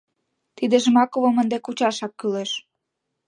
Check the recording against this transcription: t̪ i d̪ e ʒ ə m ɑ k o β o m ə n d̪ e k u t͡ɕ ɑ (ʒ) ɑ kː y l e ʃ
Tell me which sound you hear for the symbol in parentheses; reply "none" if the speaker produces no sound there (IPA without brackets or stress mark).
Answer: ʃ